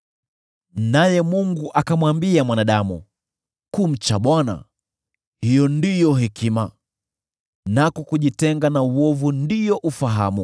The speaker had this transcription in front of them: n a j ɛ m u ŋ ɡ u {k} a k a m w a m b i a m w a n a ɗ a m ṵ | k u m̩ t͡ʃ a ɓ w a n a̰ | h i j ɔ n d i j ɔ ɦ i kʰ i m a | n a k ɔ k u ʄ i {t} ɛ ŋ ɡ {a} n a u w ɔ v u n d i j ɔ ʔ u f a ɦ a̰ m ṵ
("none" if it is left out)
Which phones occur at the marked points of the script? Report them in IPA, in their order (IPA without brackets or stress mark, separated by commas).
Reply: ʔ, t, a